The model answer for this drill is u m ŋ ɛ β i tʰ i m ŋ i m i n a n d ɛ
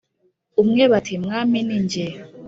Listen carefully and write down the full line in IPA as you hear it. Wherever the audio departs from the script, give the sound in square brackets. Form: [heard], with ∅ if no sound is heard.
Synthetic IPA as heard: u m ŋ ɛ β [a] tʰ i m ŋ [a] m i n [i] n [d͡ʒ] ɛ